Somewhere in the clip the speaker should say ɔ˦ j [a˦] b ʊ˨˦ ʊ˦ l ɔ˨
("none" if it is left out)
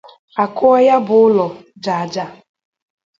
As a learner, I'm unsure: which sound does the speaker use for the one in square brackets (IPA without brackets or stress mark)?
a˦